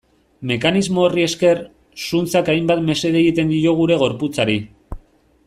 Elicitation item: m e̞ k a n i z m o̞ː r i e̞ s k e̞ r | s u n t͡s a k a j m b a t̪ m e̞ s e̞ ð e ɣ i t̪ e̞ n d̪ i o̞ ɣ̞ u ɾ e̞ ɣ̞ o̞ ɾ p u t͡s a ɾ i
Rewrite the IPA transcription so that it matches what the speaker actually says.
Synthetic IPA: m e̞ k a n i z m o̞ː r i e̞ s k e̞ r | s u n t͡s a k a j m b a t̪ m e̞ s e̞ ð e ɣ i t̪ e̞ n d̪ i o̞ ɣ̞ u ɾ e̞ ɣ̞ o̞ ɾ p u t͡s a ɾ i